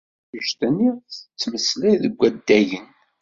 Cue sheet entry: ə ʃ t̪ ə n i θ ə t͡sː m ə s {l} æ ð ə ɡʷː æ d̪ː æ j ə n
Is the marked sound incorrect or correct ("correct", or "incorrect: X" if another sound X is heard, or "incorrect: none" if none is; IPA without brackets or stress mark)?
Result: correct